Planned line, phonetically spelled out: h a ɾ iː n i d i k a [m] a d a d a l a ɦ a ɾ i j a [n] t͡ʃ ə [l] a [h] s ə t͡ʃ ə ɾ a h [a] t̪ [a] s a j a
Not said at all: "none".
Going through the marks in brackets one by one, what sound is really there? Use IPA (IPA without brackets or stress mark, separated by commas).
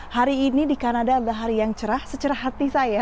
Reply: n, ŋ, ɾ, h, a, i